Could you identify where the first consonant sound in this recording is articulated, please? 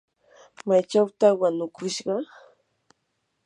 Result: labial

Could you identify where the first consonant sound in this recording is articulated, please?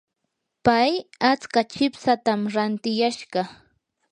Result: labial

